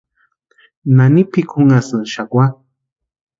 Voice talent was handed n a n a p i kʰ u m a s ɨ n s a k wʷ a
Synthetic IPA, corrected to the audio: n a n i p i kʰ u ŋ a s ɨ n ʃ a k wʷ a

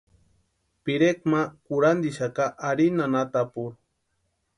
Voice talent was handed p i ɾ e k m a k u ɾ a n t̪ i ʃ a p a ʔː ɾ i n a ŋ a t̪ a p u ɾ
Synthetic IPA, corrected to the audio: p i ɾ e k m a k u ɾ a n d̪ i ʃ a k a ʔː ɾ i n a n a t̪ a p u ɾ

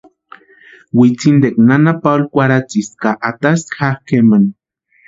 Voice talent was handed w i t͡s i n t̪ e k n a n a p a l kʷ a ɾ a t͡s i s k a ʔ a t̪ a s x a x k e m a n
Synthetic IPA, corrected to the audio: w i t͡s i n d̪ e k n a n a p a l kʷ a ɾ a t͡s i s k a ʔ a t̪ a s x a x k e m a n

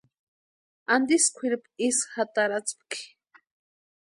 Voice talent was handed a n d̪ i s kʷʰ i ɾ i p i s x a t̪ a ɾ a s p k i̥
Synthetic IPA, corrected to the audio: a n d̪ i s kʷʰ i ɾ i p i s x a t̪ a ɾ a t͡s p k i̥

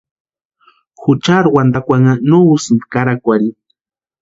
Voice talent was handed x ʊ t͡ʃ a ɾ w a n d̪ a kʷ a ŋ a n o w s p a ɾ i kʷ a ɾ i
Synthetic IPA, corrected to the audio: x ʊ t͡ʃ a ɾ w a n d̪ a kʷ a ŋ a n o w s k a ɾ a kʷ a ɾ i

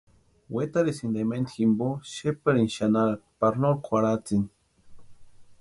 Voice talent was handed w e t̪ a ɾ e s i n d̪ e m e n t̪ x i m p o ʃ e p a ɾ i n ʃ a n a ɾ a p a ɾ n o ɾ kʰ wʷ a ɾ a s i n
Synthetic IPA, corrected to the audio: w e t̪ a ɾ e s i n d̪ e m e n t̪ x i m b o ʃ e p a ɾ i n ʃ a n a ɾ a p a ɾ n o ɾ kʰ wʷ a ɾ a t͡s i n

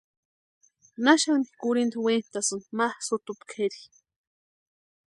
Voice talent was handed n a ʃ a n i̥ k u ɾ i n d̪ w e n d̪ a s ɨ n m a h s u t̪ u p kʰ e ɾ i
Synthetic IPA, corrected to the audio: n a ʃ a n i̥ k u ɾ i n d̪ w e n t̪ a s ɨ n m a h s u t̪ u p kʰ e ɾ i

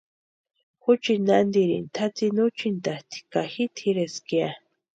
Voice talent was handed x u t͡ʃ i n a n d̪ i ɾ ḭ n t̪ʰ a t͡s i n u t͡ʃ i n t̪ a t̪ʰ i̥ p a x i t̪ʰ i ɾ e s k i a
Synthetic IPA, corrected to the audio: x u t͡ʃ i n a n d̪ i ɾ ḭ n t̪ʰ a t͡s i n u t͡ʃ i n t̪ a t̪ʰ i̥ k a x i t̪ʰ i ɾ e s k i a

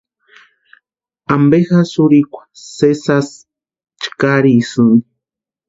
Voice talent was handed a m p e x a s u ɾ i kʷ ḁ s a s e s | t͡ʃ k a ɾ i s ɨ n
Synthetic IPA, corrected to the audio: a m b e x a s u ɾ i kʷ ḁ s e s a s | t͡ʃ k a ɾ i s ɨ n

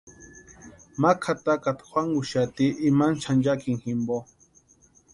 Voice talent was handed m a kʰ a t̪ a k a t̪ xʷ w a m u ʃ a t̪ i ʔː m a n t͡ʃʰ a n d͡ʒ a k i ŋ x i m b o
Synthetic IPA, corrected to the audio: m a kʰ a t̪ a k a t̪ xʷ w a ŋ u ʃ a t̪ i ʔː m a n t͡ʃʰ a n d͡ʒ a k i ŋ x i m b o

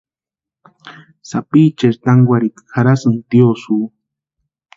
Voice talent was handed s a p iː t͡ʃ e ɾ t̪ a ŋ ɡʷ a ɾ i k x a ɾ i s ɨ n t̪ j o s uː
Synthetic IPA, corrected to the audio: s a p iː t͡ʃ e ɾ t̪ a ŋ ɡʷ a ɾ i k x a ɾ a s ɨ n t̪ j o s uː

